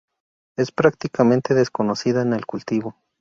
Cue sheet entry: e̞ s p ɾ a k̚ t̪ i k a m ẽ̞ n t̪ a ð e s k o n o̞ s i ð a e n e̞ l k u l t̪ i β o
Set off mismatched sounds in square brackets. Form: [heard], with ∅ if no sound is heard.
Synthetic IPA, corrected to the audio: e̞ s p ɾ a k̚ t̪ i k a m ẽ̞ n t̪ [e] ð e s k o n o̞ s i ð a e n e̞ l k u l t̪ i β o